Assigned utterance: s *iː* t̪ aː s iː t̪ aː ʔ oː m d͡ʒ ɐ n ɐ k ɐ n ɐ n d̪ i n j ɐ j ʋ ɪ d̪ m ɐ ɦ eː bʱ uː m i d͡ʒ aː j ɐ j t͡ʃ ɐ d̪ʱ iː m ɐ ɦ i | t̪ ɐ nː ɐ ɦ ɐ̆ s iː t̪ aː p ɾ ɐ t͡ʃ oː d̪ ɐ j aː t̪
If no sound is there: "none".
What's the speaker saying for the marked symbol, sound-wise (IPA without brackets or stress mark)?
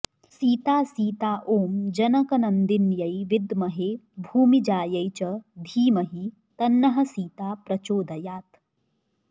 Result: iː